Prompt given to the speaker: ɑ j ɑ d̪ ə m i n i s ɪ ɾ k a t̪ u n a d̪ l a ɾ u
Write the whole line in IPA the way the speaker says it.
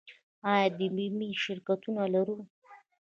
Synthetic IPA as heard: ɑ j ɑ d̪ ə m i m i ʃ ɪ ɾ k a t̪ u n a l a ɾ u